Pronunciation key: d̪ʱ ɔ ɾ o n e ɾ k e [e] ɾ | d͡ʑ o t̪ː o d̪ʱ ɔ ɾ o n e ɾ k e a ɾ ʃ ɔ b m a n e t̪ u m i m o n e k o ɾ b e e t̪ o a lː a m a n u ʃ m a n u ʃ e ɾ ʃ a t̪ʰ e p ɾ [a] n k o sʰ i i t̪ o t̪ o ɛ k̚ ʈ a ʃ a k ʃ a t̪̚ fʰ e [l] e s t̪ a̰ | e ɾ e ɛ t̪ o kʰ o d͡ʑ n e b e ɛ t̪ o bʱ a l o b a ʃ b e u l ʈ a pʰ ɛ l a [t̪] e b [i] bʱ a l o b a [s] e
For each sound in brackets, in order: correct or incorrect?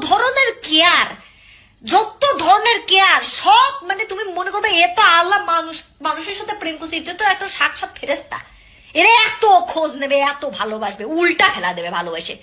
incorrect, incorrect, incorrect, incorrect, incorrect, incorrect

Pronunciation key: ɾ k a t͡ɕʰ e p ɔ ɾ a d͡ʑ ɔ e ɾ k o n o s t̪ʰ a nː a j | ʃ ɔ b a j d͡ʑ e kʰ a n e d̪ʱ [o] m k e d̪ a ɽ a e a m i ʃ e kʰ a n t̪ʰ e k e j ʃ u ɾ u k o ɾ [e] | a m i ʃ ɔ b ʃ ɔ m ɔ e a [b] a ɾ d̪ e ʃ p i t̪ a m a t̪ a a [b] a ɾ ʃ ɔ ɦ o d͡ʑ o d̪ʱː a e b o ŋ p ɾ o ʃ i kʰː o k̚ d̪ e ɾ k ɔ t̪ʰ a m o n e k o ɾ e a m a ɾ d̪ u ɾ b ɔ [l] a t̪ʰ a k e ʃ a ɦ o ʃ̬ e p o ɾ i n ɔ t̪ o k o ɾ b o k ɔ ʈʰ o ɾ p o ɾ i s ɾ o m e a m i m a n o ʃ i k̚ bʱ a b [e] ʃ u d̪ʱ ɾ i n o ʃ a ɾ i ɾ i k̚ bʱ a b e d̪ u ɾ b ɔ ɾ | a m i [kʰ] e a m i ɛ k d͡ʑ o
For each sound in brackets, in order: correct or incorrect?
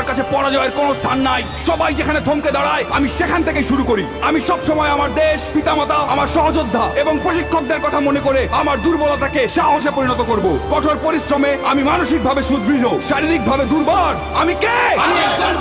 correct, incorrect, incorrect, incorrect, correct, correct, incorrect

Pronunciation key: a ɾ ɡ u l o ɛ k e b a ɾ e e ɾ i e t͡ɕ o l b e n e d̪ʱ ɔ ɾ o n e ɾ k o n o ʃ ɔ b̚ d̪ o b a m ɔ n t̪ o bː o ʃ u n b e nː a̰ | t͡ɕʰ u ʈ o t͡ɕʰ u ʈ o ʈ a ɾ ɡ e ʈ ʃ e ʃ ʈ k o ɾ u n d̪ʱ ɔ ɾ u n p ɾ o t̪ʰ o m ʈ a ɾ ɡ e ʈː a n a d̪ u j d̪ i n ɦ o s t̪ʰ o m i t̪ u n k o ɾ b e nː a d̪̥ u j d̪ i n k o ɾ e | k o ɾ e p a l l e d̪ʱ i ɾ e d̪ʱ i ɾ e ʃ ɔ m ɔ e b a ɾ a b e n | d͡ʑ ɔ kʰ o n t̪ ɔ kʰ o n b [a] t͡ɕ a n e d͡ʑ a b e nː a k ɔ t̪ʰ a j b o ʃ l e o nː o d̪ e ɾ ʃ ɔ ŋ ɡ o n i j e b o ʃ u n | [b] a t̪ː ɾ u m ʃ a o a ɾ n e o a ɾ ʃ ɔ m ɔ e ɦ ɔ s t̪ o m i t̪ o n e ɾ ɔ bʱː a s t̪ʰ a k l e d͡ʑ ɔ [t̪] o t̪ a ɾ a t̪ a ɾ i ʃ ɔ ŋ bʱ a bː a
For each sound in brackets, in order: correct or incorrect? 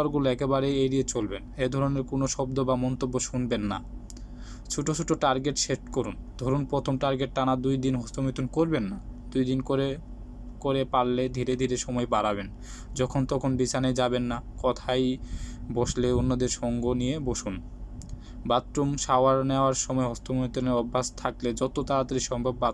incorrect, correct, correct

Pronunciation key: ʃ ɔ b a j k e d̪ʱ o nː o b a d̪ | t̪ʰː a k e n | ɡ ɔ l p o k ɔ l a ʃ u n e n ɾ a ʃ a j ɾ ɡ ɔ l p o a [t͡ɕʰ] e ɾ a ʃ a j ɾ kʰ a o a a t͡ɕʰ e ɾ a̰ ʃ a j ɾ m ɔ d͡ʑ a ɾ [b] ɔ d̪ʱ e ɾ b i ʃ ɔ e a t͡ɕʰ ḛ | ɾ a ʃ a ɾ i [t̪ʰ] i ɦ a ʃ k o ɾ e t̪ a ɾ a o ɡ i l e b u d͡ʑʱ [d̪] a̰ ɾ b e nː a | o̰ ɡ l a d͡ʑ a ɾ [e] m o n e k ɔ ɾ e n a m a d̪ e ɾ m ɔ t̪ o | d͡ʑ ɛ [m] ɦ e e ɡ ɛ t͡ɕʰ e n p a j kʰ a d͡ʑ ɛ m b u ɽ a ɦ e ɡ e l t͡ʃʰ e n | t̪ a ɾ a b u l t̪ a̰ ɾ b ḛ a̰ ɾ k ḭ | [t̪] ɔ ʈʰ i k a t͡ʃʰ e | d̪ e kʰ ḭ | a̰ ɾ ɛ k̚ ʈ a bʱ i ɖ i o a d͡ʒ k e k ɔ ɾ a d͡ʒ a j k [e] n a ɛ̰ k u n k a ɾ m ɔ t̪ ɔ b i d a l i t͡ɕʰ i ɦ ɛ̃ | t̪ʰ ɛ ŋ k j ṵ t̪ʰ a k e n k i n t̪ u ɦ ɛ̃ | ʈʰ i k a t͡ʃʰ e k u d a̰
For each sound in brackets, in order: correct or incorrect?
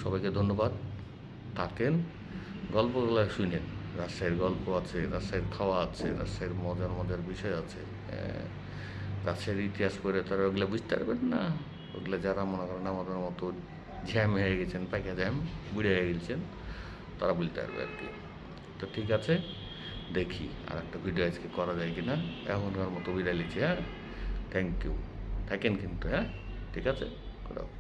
correct, incorrect, incorrect, incorrect, incorrect, correct, correct, incorrect

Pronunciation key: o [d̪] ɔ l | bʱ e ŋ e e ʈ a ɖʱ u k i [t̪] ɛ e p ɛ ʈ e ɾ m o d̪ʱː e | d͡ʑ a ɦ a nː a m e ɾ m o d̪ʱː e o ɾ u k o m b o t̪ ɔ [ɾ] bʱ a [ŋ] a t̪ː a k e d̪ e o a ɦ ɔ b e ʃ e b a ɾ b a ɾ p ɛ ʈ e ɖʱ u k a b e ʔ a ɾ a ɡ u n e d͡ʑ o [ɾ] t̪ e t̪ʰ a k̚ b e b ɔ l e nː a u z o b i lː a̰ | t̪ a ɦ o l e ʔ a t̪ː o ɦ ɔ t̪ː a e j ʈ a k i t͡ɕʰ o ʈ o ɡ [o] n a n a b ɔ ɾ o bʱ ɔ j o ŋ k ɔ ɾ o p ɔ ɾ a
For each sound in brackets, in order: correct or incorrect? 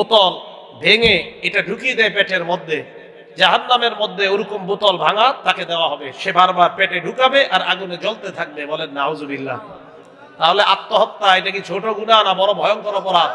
incorrect, incorrect, incorrect, correct, incorrect, incorrect

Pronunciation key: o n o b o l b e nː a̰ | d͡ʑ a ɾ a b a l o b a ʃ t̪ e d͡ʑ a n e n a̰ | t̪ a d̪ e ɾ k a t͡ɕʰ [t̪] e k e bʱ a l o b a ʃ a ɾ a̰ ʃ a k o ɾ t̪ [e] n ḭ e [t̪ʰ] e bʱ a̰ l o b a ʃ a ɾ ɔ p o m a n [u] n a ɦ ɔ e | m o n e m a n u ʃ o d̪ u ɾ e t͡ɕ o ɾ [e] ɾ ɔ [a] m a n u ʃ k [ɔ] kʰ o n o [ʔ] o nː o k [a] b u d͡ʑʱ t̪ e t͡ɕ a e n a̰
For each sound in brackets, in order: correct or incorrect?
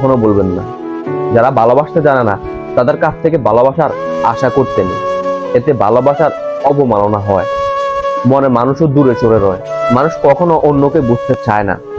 incorrect, correct, incorrect, incorrect, correct, incorrect, correct, correct, incorrect

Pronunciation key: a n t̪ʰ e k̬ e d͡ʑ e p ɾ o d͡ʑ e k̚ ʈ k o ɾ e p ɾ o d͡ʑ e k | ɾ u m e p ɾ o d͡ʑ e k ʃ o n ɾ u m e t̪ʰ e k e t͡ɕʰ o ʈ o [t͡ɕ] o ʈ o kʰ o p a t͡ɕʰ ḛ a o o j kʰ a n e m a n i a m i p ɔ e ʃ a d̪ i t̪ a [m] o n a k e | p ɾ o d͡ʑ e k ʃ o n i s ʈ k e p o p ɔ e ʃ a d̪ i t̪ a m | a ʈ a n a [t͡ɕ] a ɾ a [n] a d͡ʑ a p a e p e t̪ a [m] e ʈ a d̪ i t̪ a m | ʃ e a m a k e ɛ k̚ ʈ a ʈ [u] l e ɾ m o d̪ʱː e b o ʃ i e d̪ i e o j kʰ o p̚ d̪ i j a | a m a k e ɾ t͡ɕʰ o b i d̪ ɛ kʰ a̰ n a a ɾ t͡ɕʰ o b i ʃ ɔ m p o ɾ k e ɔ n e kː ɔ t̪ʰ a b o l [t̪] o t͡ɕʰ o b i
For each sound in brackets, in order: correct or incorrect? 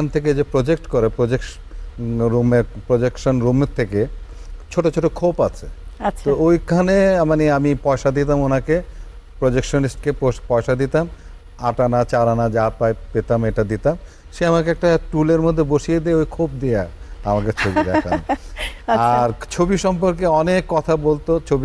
incorrect, correct, correct, correct, correct, correct, correct

